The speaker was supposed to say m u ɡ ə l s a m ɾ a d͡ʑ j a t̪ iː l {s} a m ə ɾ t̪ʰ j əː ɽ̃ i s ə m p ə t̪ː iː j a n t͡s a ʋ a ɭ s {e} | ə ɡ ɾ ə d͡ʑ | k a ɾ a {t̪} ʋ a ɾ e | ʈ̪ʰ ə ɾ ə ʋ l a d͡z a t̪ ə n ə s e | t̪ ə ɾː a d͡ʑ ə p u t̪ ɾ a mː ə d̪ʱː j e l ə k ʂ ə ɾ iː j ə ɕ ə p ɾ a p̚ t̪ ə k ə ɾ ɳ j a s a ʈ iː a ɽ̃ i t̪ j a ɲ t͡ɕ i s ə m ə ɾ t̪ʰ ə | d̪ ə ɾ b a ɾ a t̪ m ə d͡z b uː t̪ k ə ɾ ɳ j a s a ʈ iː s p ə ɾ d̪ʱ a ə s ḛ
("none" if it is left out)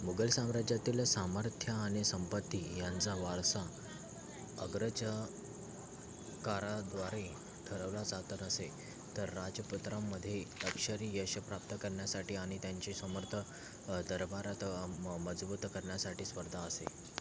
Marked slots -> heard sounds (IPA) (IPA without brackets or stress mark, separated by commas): s, a, d̪